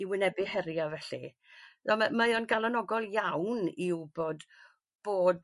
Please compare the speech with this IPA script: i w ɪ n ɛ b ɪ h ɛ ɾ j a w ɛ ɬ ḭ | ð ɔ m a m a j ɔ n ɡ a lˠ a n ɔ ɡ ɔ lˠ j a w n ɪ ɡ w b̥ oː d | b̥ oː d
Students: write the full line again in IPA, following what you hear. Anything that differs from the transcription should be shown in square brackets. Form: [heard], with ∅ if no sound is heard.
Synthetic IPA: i w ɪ n ɛ b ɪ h ɛ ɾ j a [v] ɛ ɬ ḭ | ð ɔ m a m a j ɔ n ɡ a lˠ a n ɔ ɡ ɔ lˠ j a w n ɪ [∅] w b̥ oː d | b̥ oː d